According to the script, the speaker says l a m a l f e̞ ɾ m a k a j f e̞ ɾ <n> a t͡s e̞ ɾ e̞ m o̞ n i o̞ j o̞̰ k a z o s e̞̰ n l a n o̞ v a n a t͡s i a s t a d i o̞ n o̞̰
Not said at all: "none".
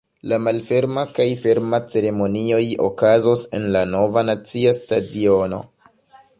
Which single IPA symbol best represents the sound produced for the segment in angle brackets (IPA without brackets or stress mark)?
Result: m